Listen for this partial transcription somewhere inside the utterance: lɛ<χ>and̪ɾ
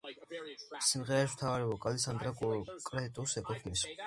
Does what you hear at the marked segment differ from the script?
yes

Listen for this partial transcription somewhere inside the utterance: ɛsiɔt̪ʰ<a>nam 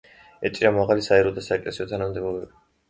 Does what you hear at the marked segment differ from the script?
no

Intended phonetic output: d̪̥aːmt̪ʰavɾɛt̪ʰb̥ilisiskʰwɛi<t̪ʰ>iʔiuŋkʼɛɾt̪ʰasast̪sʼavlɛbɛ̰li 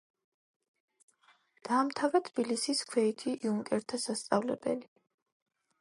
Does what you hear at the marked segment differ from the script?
no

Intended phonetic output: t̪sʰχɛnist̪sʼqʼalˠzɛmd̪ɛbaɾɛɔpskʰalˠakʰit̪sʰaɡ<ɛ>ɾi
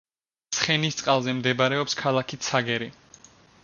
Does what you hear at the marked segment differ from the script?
no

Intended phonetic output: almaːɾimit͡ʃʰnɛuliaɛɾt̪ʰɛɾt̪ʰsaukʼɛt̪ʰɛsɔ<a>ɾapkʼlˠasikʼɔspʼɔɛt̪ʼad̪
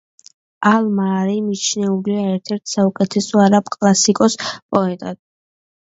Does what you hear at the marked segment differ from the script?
no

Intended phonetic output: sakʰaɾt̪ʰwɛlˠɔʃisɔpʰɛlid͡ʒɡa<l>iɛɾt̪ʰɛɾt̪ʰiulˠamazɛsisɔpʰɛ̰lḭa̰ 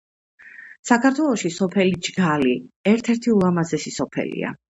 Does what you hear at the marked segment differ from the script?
no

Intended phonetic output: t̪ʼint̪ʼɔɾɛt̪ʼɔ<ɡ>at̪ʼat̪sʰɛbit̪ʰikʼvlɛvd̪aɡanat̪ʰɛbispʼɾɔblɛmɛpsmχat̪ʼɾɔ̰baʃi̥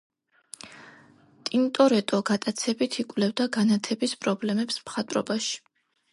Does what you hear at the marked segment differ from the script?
no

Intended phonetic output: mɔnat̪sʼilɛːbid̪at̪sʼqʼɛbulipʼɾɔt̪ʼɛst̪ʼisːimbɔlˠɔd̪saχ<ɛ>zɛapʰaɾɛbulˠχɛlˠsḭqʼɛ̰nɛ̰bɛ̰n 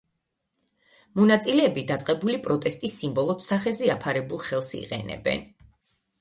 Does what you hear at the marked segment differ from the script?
no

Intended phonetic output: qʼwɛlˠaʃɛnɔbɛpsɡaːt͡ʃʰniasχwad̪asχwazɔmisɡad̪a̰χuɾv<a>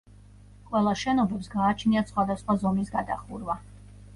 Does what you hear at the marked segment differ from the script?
no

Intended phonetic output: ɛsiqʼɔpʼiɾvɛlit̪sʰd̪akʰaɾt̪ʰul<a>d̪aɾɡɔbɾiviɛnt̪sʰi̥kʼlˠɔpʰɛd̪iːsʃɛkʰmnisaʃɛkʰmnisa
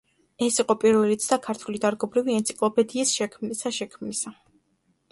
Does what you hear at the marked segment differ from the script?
yes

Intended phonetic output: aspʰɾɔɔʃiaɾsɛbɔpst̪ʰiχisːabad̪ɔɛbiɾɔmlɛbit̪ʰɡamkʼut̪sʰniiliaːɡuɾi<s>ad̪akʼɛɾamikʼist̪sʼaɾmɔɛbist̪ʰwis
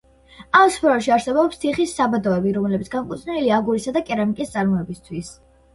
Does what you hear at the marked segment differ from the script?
no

